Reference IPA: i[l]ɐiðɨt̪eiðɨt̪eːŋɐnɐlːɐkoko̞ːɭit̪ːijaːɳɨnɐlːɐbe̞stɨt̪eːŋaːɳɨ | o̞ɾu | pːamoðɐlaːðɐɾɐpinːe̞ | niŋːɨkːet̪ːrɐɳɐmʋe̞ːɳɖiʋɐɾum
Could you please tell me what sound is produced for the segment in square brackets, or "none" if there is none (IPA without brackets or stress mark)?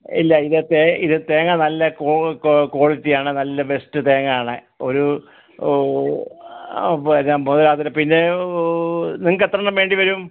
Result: lː